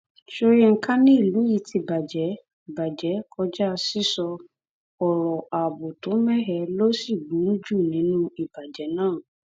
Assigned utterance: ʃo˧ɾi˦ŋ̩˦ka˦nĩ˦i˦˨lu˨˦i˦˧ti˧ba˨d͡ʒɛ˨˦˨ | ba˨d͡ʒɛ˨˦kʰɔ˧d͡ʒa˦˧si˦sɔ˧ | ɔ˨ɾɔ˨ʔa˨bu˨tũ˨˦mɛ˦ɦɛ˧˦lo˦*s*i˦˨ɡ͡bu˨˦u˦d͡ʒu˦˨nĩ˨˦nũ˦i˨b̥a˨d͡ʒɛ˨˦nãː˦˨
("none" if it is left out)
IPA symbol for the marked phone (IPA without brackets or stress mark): s